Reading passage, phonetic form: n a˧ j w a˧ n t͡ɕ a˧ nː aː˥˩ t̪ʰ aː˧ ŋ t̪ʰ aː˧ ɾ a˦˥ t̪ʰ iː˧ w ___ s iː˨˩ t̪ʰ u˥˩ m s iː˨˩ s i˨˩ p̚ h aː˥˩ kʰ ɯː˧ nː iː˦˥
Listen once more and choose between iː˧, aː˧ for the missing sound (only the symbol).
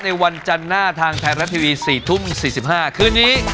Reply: iː˧